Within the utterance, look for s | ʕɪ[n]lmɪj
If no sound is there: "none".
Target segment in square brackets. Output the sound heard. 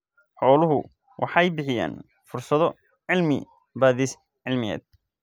none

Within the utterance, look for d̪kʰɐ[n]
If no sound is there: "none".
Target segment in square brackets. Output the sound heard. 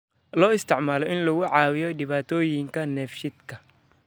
none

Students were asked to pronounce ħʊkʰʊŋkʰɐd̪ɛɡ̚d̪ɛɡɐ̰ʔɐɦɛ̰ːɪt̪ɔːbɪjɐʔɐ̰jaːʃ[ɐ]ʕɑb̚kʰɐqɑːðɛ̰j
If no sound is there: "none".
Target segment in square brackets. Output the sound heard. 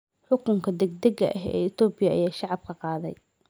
ɑ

